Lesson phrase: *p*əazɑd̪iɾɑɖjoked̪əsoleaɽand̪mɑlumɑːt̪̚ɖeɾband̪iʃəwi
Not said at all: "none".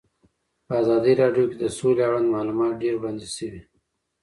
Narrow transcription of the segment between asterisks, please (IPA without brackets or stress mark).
p